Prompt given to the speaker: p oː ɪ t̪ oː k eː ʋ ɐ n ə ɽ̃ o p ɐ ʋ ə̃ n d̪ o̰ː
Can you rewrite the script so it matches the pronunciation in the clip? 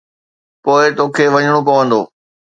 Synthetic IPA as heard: p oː ɪ t̪ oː kʰ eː ʋ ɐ ɲ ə ɽ̃ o p ɐ ʋ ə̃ n d̪ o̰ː